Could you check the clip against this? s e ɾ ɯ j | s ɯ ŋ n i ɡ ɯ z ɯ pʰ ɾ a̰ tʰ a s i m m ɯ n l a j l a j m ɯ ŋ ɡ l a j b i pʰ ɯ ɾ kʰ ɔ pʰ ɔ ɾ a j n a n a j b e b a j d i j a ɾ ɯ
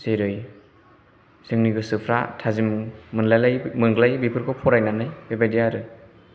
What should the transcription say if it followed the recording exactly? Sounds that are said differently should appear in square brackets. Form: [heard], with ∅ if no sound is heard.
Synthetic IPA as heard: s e ɾ ɯ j | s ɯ ŋ n i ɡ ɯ [s] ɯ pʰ ɾ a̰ tʰ a [z] i m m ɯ n l a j l a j m ɯ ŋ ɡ l a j b i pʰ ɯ ɾ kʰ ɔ pʰ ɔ ɾ a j n a n a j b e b a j d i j a ɾ ɯ